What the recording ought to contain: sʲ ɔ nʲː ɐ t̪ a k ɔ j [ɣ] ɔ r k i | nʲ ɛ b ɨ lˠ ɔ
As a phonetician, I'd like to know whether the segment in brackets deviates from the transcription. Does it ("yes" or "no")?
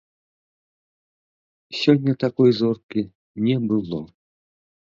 yes